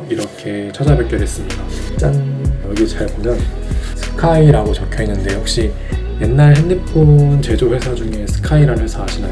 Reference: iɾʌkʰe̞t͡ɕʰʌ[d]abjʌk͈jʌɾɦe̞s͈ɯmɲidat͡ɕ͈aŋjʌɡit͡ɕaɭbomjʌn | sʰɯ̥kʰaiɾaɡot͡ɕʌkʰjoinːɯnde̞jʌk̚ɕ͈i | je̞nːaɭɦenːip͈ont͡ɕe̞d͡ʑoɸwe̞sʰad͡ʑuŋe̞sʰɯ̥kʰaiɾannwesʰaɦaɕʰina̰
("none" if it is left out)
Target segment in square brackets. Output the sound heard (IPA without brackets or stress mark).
d͡ʑ